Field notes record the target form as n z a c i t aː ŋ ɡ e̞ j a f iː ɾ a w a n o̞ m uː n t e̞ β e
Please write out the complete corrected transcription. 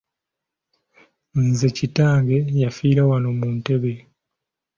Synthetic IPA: n z e c i t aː ŋ ɡ e̞ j a f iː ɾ a w a n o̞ m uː n t e̞ β e